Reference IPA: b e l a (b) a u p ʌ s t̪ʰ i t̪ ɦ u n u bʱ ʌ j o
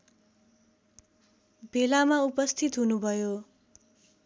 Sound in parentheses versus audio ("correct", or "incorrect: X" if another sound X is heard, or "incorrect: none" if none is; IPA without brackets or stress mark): incorrect: m